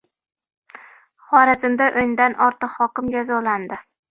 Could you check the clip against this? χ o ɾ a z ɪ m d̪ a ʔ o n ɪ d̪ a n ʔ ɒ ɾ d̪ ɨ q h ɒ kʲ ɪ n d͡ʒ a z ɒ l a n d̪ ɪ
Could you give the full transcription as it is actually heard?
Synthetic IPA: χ ɒ ɾ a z ɪ m d̪ a ʔ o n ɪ d̪ a n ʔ ɒ ɾ t̪ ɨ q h ɒ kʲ ɪ m d͡ʒ a z ɒ l a n d̪ ɪ

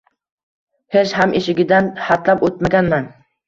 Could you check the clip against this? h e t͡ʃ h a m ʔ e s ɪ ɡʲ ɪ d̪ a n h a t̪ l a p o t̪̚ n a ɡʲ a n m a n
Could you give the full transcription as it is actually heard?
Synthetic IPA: h e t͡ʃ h a m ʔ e ʃ ɪ ɡʲ ɪ d̪ a n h a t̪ l a p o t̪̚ m a ɡʲ a n m a n

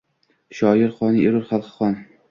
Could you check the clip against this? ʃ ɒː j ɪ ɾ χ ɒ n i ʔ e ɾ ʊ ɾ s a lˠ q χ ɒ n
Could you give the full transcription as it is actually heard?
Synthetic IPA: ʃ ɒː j ɪ ɾ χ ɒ n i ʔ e ɾ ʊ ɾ χ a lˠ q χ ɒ n

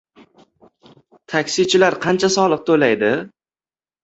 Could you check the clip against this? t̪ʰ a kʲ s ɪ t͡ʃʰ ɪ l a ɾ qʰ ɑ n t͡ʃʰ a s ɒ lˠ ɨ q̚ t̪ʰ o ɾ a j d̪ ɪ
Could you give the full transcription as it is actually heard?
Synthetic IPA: t̪ʰ a kʲ s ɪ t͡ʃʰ ɪ l a ɾ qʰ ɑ n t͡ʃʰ a s ɒ lˠ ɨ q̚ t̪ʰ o l a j d̪ ɪ

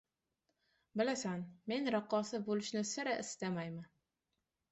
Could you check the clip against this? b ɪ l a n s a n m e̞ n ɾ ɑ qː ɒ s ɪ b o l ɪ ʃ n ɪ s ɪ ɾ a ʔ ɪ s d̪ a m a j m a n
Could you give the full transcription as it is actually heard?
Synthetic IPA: b ɪ l a s a n m e̞ n ɾ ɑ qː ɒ s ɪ b o l ɪ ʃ n ɪ s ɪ ɾ a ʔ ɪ s t̪ a m a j m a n

